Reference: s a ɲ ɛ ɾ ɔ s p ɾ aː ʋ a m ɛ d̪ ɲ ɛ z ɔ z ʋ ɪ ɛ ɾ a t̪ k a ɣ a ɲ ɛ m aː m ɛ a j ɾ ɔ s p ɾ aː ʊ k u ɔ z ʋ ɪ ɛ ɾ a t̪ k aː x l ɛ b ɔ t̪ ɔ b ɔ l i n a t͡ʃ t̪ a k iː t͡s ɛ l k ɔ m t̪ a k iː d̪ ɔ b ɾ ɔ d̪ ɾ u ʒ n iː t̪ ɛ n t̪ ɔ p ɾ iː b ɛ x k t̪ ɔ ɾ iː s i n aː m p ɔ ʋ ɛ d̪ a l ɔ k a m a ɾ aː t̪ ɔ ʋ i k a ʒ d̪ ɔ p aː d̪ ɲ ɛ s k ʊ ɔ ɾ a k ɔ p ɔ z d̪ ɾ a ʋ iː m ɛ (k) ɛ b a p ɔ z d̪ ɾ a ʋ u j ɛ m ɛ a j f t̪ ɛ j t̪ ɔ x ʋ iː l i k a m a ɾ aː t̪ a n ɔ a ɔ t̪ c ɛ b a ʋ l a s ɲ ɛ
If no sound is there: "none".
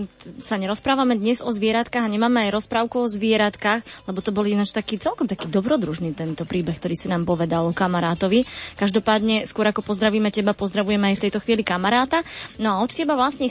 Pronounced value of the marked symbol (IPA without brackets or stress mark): c